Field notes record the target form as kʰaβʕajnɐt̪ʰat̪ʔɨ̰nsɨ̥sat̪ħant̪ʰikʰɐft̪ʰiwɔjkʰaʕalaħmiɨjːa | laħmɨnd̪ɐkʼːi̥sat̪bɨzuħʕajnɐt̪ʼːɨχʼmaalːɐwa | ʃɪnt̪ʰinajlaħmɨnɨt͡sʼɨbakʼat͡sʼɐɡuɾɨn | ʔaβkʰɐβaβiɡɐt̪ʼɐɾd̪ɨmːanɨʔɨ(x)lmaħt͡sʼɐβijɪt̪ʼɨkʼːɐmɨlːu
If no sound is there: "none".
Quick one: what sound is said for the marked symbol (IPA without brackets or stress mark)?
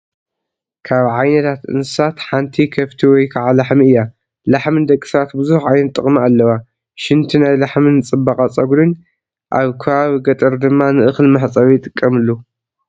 x